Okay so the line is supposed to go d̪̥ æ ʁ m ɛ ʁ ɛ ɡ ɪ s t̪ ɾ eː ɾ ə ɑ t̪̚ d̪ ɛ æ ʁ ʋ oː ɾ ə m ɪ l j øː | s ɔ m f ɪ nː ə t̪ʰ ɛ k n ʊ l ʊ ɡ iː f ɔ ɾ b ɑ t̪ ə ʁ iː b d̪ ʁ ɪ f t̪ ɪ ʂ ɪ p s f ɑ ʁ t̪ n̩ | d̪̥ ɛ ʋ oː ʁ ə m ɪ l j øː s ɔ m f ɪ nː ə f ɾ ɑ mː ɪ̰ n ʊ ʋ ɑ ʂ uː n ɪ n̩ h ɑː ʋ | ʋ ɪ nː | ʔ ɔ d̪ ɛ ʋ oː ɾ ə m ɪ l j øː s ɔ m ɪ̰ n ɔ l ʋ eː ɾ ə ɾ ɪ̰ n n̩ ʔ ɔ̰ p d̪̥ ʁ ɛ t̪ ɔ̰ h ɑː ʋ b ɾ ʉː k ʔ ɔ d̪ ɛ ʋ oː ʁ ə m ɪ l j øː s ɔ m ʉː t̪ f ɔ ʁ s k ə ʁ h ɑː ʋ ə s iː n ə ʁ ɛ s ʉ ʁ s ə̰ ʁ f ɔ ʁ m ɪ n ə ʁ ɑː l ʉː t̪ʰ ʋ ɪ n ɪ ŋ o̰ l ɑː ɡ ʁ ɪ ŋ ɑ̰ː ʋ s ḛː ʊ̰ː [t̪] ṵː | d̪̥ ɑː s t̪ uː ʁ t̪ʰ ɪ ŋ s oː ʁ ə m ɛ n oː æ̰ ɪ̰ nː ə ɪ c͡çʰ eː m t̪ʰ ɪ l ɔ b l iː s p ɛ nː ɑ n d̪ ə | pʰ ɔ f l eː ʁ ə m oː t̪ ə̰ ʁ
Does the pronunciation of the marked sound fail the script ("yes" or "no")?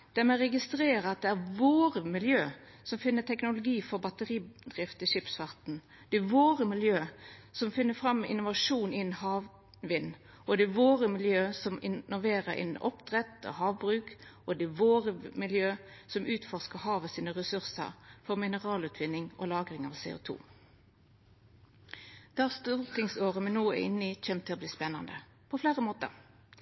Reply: yes